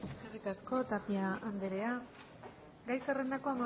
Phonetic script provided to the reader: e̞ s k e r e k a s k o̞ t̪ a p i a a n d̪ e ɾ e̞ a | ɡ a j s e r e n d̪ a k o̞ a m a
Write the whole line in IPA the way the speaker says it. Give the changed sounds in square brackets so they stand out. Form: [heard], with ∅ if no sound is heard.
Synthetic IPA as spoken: e̞ s k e r [i] k a s k o̞ t̪ a p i a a n d̪ e ɾ e̞ a | ɡ a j s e r e n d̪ a k o̞ a m a